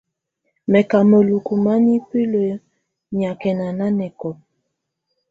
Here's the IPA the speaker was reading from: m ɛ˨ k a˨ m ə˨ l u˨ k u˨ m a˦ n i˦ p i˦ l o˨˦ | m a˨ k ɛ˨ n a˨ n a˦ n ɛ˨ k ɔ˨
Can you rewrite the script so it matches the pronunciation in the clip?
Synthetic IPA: m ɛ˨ k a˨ m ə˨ l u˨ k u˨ m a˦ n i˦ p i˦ l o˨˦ | ɲ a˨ k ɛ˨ n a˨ n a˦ n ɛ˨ k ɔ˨

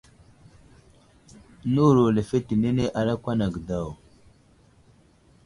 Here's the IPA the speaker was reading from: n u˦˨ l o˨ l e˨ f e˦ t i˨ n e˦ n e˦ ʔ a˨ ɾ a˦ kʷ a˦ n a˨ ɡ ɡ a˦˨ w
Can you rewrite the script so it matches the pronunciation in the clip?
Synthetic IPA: n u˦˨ ɾ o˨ l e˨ f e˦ t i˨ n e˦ n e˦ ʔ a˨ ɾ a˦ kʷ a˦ n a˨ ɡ d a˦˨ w

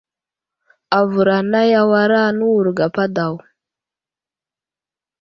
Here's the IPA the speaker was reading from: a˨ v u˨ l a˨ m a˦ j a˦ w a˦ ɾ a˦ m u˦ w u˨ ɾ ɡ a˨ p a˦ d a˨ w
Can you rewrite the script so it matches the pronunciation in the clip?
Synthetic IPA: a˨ v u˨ ɾ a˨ n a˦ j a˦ w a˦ ɾ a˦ n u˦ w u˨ ɾ ɡ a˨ p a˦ d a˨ w

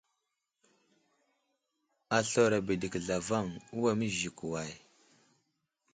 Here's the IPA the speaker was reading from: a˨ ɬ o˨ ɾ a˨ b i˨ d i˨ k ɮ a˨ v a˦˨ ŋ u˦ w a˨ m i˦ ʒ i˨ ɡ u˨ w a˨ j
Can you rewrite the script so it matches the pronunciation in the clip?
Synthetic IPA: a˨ ɬ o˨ ɾ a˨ b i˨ d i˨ k ɮ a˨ v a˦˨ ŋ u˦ w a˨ m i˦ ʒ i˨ k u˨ w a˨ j

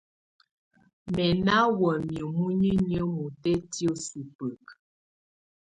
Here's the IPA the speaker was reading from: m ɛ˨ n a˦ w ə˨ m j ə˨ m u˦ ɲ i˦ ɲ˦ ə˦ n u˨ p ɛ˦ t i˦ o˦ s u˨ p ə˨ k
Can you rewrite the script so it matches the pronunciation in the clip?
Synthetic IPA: m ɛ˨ n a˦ w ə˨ m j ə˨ m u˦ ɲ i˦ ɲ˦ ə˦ m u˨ t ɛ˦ t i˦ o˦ s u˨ p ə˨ k

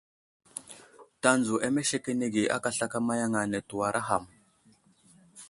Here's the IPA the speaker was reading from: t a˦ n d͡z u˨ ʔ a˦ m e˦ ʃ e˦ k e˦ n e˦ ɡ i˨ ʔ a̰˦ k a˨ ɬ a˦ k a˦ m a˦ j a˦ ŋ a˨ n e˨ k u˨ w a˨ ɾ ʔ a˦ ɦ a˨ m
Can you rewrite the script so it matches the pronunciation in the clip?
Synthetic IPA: t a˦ n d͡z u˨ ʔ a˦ m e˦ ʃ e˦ k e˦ n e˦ ɡ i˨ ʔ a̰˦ k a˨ ɬ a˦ k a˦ m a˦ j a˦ ŋ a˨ n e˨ t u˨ w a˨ ɾ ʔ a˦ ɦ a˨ m

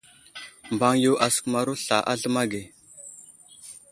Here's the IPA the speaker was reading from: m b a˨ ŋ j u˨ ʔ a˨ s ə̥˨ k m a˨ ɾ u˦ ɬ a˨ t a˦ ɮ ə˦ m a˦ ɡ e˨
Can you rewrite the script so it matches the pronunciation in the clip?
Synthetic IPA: m b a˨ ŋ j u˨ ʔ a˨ s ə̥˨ k m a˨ ɾ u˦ ɬ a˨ ʔ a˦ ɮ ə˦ m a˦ ɡ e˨

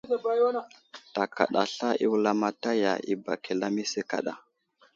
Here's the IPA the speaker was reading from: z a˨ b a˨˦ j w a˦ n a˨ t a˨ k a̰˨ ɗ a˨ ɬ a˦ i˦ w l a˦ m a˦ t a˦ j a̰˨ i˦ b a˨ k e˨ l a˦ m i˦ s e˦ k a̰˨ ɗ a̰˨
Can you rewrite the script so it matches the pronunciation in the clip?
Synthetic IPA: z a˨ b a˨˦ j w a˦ n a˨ t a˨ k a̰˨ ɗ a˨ ɬ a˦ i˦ w l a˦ m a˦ t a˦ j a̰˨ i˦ b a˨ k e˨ l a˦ m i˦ s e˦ k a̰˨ ɗ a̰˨

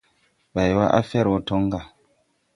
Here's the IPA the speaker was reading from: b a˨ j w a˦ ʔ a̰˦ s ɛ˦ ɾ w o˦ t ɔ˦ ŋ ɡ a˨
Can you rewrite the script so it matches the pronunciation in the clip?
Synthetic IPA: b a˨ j w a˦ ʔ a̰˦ f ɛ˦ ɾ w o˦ t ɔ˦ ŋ ɡ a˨

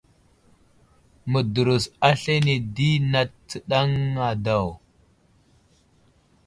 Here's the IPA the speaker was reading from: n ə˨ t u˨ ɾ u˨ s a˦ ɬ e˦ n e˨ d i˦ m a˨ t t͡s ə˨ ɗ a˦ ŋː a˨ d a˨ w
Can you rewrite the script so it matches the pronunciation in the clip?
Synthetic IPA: m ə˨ d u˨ ɾ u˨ s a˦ ɬ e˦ n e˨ d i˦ n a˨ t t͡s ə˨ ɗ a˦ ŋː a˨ d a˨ w

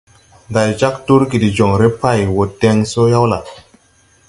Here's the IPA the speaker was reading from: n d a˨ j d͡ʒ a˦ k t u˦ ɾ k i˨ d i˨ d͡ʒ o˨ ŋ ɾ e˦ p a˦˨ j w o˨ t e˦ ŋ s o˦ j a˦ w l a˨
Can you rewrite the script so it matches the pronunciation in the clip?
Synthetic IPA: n d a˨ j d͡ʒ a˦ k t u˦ ɾ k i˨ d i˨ d͡ʒ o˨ ŋ ɾ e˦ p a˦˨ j w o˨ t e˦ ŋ s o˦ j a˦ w l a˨

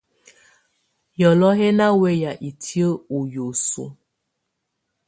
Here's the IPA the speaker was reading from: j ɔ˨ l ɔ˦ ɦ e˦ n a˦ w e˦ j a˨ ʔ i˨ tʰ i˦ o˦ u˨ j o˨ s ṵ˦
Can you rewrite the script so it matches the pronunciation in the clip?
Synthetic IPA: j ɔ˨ l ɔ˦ ɦ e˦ n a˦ w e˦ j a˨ ʔ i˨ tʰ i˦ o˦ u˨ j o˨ s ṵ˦

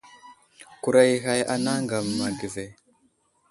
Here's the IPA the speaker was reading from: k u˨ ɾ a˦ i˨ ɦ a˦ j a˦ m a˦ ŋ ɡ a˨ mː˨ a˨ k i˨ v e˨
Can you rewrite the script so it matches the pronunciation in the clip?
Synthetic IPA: k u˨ ɾ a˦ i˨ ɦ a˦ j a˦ n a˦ ŋ ɡ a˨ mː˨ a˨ ɡ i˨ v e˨

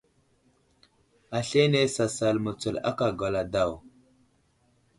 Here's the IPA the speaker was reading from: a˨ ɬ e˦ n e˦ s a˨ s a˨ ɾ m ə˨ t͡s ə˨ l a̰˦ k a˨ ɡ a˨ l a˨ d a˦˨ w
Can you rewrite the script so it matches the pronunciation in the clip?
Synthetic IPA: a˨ ɬ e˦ n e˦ s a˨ s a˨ l m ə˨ t͡s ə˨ l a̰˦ k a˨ ɡ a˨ l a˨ d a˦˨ w

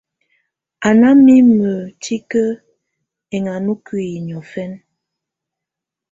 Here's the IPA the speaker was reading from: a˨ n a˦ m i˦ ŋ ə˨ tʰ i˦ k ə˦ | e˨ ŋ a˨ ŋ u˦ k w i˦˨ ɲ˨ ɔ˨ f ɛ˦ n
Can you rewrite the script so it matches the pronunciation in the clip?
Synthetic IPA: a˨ n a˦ m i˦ m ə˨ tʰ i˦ k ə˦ | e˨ ŋ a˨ n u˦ k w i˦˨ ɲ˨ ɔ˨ f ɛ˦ n

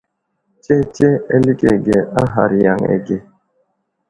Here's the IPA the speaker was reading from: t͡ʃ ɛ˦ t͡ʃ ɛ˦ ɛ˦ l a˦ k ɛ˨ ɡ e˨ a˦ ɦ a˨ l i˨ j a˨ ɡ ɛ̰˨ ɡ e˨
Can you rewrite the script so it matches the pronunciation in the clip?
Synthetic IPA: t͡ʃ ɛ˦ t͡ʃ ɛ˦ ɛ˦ l i˦ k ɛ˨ ɡ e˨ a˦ ɦ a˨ ɾ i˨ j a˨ ŋ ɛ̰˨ ɡ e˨

